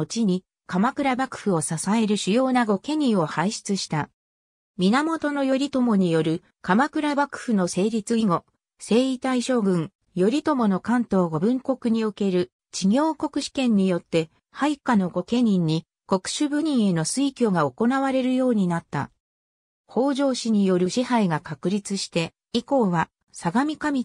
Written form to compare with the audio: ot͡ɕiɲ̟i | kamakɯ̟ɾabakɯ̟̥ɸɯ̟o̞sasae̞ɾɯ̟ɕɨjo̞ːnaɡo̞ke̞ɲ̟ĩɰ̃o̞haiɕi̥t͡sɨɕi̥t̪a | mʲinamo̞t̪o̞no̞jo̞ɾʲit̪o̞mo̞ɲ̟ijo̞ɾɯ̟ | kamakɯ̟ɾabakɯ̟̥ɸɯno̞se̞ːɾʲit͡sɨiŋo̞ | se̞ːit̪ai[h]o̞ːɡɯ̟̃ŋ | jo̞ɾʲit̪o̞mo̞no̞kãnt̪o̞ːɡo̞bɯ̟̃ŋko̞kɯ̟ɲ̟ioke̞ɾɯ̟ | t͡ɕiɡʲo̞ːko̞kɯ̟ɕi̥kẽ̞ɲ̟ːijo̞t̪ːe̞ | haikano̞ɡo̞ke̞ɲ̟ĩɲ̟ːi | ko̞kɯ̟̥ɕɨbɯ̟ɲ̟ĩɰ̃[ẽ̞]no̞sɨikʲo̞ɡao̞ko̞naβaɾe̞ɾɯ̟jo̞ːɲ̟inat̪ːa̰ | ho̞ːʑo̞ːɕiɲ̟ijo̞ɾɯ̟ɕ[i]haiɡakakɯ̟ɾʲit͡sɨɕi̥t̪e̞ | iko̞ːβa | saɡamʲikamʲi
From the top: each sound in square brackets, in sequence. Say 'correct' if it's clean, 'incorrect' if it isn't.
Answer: incorrect, incorrect, correct

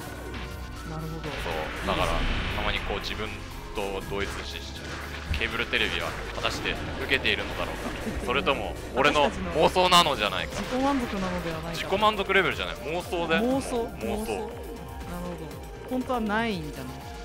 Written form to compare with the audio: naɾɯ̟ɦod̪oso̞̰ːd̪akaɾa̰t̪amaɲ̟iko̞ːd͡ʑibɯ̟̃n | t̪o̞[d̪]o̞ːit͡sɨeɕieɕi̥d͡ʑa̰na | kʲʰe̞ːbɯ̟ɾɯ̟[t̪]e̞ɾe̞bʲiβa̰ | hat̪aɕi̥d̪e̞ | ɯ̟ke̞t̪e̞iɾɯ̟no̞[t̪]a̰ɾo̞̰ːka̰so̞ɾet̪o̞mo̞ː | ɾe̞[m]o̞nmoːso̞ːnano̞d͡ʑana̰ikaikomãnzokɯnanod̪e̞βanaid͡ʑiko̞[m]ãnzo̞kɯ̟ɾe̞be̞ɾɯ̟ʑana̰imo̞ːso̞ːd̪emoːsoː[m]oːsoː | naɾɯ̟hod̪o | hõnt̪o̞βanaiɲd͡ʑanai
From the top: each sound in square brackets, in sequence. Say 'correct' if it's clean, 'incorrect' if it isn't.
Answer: correct, correct, incorrect, incorrect, correct, correct

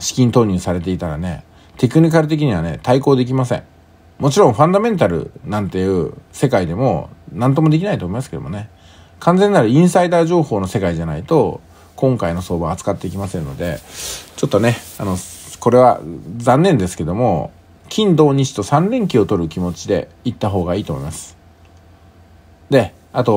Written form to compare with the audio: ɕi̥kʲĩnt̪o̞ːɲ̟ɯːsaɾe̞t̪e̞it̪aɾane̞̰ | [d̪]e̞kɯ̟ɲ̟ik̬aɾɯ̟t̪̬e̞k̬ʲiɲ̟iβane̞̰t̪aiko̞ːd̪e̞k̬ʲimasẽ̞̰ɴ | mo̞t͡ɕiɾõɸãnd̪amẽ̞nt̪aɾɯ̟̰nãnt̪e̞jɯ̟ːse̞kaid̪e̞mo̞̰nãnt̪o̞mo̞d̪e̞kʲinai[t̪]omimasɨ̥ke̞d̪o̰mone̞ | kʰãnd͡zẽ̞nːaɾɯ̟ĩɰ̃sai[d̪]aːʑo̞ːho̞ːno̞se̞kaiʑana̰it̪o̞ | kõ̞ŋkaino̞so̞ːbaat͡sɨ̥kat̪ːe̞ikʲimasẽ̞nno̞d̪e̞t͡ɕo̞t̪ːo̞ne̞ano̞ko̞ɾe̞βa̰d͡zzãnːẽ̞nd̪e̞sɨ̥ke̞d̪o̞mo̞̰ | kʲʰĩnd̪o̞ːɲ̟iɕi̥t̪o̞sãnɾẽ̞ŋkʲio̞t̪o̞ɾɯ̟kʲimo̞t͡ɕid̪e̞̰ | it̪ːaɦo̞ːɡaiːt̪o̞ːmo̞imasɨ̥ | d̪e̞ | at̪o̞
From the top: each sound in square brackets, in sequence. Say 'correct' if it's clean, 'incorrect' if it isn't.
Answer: incorrect, correct, correct

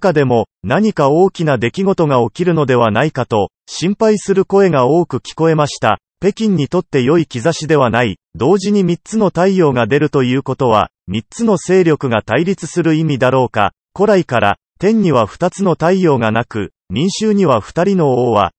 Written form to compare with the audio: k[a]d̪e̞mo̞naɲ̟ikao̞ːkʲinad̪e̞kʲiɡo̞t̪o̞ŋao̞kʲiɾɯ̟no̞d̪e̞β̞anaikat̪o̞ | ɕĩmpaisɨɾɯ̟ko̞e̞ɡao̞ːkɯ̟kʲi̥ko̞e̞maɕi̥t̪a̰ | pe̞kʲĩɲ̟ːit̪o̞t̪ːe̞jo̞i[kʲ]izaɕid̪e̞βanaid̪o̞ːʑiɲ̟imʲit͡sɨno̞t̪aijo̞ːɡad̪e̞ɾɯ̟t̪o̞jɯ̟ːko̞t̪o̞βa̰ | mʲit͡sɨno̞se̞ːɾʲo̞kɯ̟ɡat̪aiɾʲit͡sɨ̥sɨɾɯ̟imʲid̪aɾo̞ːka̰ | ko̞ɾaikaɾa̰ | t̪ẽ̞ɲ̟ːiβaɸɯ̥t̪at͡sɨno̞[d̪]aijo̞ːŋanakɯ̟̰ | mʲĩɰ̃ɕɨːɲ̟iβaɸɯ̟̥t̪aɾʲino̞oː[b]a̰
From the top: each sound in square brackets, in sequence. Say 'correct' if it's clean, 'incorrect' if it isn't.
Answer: correct, correct, incorrect, incorrect

